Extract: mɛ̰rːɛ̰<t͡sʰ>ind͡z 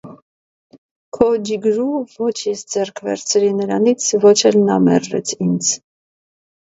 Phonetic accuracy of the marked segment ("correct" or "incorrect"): correct